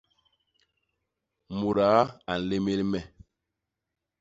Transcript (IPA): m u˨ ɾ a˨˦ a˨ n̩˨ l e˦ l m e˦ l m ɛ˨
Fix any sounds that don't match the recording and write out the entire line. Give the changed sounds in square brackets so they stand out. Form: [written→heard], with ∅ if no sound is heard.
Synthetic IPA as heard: m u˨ ɾ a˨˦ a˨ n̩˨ l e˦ [l→∅] m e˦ l m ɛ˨